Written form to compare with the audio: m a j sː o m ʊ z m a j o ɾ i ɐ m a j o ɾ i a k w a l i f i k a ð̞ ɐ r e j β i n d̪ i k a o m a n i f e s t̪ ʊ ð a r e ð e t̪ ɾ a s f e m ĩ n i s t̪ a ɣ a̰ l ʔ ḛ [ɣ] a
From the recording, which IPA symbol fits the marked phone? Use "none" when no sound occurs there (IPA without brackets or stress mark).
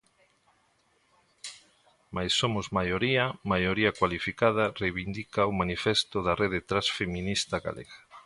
ɣ